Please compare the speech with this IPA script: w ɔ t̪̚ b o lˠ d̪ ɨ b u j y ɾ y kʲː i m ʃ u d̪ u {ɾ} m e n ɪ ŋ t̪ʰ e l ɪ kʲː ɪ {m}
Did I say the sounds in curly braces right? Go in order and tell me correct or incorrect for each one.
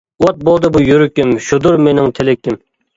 correct, correct

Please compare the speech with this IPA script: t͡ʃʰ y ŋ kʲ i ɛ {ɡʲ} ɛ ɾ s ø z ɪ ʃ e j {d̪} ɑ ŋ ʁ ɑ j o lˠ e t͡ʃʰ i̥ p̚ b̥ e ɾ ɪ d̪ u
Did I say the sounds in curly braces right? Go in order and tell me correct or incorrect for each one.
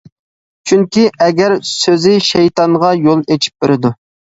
correct, incorrect

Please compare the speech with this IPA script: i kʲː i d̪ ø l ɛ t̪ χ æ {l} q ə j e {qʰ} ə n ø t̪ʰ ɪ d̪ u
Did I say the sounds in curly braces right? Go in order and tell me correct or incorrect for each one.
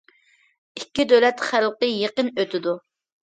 correct, incorrect

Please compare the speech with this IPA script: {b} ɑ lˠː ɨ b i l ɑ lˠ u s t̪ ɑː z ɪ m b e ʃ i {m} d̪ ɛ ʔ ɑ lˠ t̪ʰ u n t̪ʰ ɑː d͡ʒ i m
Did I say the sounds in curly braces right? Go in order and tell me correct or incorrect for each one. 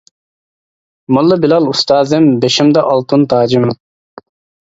incorrect, correct

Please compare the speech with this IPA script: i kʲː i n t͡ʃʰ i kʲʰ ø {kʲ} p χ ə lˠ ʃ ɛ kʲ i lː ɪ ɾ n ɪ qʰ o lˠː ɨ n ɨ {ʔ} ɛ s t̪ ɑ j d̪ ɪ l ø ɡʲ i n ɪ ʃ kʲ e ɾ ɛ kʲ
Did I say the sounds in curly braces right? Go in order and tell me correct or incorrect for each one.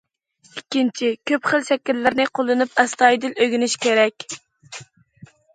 incorrect, incorrect

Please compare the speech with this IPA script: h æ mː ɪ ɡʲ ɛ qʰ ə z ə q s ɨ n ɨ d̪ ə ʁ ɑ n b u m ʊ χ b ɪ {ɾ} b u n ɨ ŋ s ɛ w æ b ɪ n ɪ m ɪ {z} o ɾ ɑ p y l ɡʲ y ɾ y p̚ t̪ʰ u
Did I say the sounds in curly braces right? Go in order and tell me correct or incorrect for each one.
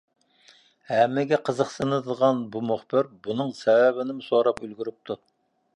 correct, incorrect

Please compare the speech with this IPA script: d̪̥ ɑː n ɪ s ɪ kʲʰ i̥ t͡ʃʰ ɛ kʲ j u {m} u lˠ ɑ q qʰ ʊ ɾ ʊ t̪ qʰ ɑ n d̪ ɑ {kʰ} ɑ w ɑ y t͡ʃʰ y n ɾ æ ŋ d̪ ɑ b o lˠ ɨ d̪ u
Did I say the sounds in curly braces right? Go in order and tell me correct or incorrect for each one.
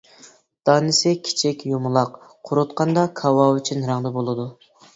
correct, correct

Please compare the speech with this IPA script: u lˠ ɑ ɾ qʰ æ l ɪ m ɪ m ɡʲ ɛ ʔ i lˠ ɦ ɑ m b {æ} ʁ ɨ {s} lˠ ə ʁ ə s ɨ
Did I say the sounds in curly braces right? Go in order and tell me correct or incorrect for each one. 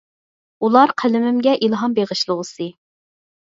incorrect, incorrect

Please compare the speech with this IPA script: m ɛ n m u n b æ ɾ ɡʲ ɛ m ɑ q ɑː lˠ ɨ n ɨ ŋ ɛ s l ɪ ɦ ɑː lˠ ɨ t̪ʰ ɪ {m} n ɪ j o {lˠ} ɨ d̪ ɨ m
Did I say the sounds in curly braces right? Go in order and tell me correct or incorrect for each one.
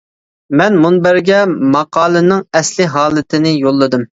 incorrect, incorrect

